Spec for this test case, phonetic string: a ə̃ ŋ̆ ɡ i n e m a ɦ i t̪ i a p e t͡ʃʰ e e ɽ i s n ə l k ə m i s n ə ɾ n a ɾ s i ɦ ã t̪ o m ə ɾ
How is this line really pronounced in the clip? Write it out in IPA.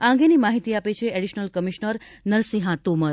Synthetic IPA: a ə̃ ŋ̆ ɡ e n i m a ɦ i t̪ i a p e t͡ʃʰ e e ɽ i ʃ n ə l k ə m i ʃ n ə ɾ n ə ɾ s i ɦ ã t̪ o m ə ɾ